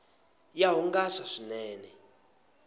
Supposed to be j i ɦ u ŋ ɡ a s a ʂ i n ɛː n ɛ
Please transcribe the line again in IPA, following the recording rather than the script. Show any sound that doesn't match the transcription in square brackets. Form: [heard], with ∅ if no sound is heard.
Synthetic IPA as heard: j [a] ɦ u ŋ ɡ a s a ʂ i n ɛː n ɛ